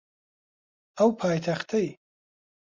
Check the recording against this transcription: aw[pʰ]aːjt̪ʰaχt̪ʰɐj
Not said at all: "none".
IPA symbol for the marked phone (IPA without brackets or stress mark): pʰ